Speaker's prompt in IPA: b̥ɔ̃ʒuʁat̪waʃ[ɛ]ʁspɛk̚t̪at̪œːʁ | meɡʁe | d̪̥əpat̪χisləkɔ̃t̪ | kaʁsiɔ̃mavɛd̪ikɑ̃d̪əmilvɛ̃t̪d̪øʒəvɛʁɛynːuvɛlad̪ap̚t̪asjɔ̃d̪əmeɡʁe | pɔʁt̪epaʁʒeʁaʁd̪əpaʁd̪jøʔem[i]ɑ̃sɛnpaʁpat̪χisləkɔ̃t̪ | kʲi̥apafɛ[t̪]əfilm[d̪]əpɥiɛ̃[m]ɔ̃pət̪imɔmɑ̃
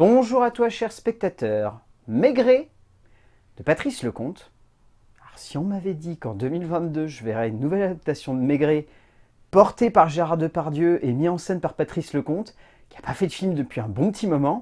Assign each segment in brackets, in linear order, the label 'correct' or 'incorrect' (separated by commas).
correct, correct, incorrect, correct, incorrect